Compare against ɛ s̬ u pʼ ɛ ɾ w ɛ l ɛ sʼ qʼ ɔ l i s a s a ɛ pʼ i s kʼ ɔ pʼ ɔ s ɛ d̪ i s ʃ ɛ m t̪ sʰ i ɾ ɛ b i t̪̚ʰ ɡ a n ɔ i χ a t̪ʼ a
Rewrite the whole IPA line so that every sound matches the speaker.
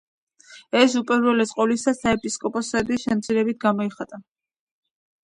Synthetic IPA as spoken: ɛ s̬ u pʼ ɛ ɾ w ɛ l ɛ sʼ qʼ ɔ l i s a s a ɛ pʼ i s kʼ ɔ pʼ ɔ s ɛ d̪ i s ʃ ɛ m t̪ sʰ i ɾ ɛ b i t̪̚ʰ ɡ a m ɔ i χ a t̪ʼ a